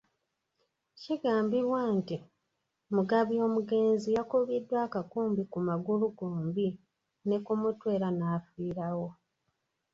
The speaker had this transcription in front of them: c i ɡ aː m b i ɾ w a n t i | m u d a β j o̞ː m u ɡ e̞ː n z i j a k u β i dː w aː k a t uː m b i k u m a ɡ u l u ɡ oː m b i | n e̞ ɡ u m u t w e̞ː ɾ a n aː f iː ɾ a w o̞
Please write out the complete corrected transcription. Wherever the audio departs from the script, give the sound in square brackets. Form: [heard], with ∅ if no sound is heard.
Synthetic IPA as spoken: c i ɡ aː m b i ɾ w a n t i | m u [ɡ] a β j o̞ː m u ɡ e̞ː n z i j a k u β i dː w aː k a [k] uː m b i k u m a ɡ u l u ɡ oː m b i | n e̞ [k] u m u t w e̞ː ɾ a n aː f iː ɾ a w o̞